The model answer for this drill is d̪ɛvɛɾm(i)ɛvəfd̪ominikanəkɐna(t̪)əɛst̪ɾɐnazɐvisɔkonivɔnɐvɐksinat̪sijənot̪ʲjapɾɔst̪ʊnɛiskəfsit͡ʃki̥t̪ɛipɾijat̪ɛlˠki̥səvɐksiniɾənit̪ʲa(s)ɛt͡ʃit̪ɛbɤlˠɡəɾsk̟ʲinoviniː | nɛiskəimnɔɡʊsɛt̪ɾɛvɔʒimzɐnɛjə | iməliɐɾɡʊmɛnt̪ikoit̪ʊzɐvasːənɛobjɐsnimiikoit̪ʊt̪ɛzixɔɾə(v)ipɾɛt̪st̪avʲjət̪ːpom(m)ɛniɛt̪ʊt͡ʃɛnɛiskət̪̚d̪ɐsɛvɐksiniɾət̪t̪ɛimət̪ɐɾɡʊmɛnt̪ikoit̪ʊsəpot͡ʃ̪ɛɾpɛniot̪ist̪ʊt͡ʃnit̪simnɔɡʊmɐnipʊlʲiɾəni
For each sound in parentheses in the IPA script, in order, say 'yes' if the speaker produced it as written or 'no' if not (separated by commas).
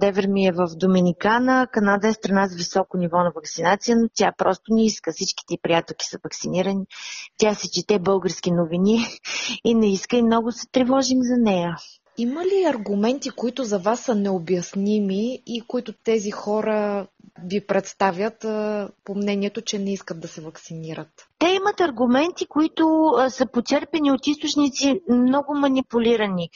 yes, no, yes, yes, no